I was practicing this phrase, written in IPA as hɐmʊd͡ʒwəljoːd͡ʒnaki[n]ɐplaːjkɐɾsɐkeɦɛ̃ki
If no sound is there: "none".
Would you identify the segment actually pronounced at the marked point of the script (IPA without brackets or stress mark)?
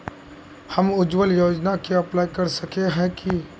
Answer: none